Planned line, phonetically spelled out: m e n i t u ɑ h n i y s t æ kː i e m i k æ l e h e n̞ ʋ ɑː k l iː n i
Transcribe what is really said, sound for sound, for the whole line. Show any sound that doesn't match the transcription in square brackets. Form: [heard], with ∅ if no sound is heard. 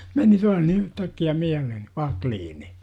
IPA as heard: m e n i t u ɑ h n i y [h] t æ kː i [æ] m i [∅] æ l e h e n̞ ʋ [ɑ] k l iː n i